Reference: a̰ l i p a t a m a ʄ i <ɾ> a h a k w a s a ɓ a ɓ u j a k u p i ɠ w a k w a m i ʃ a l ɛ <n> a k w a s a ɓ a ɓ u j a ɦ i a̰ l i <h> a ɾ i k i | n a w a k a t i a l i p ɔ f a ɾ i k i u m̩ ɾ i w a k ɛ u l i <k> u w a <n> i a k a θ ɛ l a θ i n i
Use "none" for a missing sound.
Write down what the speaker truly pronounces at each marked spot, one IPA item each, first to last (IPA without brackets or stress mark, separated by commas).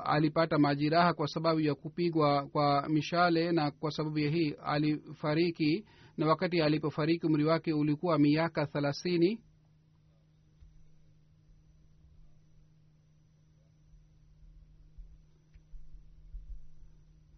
ɾ, n, f, k, m